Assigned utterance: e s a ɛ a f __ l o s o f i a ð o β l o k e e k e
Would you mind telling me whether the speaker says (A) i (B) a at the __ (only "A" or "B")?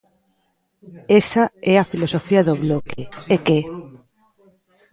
A